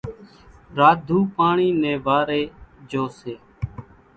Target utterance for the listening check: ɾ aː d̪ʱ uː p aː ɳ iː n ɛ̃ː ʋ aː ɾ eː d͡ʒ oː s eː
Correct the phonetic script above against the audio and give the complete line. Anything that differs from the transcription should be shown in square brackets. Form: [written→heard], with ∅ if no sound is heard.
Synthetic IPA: ɾ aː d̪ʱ uː p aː ɳ iː n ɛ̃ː ʋ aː ɾ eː d͡ʒ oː s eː